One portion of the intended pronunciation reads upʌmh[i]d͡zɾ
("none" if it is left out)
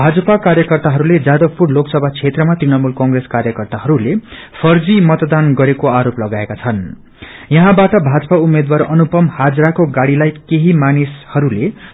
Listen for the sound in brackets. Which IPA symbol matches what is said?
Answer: a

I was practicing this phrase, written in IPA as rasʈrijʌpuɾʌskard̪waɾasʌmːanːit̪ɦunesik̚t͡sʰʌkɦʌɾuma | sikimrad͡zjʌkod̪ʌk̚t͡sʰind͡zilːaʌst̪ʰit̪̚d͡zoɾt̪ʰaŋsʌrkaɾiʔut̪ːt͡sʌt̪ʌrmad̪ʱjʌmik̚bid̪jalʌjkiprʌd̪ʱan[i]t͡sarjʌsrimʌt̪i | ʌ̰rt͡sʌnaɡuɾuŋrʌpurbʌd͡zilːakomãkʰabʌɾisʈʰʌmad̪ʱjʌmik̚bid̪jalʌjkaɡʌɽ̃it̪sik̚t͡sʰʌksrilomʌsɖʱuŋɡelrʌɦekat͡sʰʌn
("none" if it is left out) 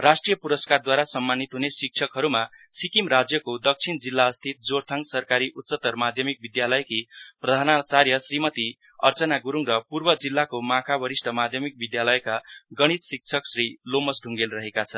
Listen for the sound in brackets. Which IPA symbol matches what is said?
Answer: a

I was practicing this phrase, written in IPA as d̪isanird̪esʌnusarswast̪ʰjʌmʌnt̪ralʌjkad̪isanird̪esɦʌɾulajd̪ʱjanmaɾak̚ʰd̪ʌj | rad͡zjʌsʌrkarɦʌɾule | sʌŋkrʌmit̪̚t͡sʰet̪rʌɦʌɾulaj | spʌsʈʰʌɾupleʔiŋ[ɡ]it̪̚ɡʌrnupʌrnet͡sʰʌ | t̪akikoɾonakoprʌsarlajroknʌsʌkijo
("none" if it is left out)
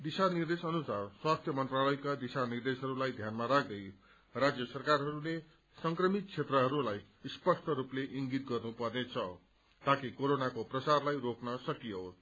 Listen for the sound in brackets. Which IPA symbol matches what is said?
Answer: ɡ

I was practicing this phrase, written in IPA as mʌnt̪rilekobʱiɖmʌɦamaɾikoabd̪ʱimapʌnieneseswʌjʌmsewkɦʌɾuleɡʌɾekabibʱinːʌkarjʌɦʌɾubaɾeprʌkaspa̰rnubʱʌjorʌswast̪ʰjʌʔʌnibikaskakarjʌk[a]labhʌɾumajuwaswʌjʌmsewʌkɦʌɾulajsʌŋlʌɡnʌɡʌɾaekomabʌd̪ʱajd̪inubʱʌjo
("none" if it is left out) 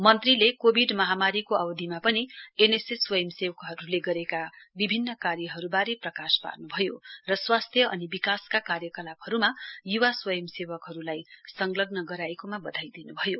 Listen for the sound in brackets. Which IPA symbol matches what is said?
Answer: ʌ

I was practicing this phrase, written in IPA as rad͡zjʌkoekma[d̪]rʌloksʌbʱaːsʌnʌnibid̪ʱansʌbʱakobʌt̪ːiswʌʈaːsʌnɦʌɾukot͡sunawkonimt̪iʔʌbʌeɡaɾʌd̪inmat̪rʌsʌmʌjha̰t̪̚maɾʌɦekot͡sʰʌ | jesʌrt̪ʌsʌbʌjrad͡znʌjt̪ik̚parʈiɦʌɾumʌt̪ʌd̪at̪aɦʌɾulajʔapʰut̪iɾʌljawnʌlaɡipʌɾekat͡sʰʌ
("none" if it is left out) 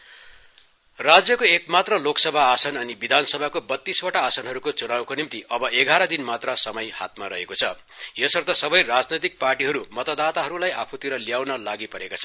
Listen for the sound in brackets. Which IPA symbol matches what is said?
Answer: t̪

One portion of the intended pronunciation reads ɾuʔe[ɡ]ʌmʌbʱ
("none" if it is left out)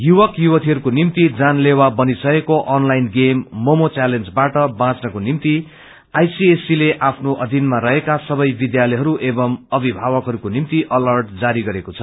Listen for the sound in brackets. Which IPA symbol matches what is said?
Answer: b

